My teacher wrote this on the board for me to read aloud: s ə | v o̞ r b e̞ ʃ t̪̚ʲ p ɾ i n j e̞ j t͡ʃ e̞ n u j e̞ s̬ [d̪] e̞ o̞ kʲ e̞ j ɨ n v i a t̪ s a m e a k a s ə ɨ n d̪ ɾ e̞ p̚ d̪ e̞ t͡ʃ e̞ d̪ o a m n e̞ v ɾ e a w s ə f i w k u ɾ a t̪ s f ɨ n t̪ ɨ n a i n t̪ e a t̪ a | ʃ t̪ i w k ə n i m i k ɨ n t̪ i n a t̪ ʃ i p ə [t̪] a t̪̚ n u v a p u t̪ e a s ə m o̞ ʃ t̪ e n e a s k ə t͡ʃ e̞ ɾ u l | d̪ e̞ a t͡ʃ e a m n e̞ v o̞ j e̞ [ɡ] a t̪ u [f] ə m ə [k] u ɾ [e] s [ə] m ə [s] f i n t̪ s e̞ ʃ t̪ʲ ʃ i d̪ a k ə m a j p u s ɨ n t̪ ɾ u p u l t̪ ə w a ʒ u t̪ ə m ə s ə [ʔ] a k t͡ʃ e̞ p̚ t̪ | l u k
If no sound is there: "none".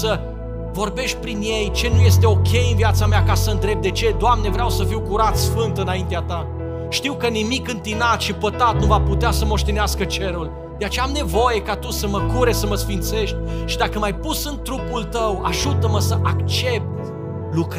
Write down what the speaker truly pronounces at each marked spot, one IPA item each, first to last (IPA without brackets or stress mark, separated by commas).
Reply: t̪, t̪, k, s, k, e, ə, s, ʔ